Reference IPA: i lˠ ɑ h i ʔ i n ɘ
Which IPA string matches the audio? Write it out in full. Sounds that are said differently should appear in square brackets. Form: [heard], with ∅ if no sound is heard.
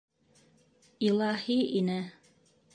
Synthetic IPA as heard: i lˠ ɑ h i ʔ i n ɘ